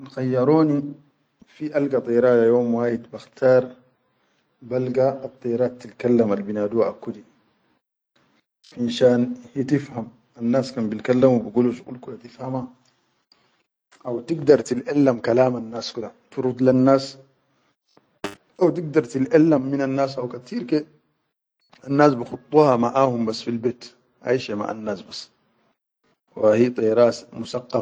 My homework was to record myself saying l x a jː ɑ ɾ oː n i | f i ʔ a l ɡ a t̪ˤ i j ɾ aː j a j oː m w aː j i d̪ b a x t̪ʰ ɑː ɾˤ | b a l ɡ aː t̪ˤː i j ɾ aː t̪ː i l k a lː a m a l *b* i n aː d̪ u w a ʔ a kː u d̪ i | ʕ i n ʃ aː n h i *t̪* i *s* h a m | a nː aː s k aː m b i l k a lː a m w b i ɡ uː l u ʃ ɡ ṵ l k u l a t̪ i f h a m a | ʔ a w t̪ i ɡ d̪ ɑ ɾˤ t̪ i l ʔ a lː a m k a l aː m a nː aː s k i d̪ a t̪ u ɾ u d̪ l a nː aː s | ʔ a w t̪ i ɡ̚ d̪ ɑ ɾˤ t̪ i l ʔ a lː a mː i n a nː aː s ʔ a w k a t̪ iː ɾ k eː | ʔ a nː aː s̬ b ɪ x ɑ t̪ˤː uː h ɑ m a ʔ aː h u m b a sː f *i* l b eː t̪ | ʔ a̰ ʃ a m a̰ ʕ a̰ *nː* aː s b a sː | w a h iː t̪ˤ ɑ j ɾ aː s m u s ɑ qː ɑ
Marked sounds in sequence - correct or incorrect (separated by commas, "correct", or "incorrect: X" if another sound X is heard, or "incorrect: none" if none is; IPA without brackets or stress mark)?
correct, correct, incorrect: f, correct, correct